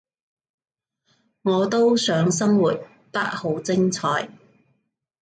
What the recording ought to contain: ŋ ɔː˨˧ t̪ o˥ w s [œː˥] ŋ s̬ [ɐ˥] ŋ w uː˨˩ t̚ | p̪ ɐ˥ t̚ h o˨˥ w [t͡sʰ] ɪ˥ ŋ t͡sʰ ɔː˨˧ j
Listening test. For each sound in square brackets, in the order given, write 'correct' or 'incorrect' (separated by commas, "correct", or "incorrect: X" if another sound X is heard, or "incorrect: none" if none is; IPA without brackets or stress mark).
incorrect: œː˨˧˥, correct, incorrect: t͡s